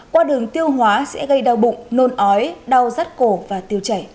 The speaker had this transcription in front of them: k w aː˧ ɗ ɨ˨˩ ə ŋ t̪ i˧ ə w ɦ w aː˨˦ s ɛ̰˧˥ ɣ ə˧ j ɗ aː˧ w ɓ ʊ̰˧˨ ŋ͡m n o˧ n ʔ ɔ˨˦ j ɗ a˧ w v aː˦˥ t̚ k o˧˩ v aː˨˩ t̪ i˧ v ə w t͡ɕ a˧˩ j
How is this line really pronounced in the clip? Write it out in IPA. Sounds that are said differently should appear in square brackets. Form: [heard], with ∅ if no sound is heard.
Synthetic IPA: k w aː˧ ɗ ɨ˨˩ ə ŋ t̪ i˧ ə w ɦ w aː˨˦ s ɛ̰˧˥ ɣ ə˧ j ɗ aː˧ w ɓ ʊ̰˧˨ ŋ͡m n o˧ n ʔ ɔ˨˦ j ɗ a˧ w [z] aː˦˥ t̚ k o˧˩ v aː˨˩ t̪ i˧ [∅] ə w t͡ɕ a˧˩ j